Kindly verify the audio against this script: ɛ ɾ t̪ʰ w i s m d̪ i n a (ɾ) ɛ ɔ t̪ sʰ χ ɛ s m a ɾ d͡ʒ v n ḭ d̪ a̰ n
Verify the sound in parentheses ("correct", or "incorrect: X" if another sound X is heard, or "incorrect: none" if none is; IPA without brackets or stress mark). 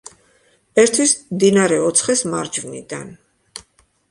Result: correct